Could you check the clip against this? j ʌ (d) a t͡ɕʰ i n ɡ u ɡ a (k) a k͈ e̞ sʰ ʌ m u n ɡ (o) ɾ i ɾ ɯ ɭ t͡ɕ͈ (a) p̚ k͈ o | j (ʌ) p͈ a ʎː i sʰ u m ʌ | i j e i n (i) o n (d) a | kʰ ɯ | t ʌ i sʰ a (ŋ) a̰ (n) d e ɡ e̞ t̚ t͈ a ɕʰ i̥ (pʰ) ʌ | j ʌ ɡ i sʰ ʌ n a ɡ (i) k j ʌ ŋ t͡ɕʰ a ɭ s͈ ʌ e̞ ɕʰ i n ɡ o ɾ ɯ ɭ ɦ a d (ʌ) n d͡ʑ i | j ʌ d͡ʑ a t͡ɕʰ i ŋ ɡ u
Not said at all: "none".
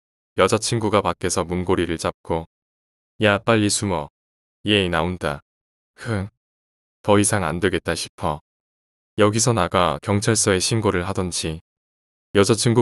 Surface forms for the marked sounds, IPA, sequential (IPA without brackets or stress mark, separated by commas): d͡ʑ, p, o, a, a, a, d, ŋ, n, pʰ, a, ʌ